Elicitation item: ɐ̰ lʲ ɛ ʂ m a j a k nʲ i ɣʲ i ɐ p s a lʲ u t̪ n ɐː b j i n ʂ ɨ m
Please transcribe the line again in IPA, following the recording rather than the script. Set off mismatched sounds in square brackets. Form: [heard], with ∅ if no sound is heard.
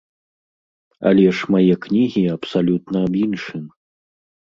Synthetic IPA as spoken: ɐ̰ lʲ ɛ ʂ m a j [ɛ] k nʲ i ɣʲ i ɐ p s a lʲ u t̪ n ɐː b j i n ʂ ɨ m